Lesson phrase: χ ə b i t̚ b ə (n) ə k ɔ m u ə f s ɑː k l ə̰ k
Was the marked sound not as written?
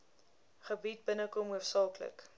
no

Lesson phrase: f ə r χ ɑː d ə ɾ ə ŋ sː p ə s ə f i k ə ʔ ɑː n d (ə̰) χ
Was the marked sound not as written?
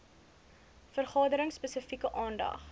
yes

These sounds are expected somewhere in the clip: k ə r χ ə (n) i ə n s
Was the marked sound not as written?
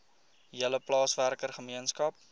yes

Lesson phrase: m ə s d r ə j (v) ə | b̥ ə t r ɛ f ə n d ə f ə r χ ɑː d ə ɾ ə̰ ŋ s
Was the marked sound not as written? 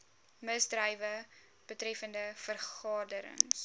no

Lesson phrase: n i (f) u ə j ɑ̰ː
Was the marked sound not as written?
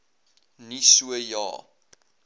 yes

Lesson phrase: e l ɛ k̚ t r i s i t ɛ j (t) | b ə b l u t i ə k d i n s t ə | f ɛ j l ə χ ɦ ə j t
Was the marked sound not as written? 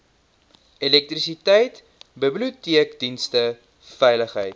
no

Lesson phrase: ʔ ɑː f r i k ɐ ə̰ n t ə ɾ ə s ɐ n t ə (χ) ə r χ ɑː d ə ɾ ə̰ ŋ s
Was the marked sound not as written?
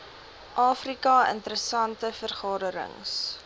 yes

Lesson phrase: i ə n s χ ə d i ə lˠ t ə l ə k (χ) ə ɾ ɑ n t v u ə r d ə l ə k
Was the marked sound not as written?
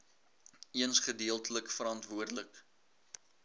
yes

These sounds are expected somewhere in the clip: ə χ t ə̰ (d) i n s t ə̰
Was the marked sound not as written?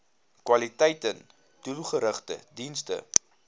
no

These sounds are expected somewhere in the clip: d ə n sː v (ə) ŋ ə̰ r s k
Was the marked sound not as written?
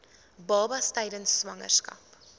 yes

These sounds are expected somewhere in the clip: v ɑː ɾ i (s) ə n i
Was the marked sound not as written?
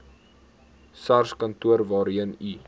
yes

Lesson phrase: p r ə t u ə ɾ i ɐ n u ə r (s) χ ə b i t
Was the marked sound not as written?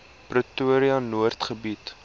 yes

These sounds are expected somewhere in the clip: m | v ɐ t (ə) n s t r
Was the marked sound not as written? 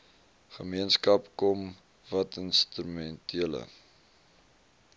no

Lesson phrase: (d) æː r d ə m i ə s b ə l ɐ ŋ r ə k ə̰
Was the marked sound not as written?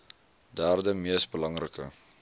no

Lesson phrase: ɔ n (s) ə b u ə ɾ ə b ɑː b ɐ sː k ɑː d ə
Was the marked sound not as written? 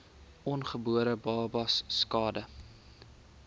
yes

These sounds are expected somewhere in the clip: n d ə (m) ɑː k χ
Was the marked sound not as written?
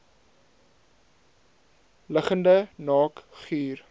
yes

